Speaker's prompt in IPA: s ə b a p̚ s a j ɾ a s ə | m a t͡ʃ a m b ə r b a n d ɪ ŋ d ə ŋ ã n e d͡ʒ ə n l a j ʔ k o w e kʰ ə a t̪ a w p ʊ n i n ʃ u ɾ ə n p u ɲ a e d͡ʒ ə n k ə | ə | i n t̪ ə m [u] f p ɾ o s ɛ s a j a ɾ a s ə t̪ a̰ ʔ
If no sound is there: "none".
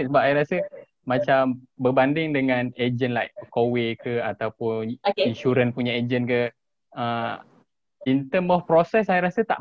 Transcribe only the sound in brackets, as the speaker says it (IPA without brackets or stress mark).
ɔ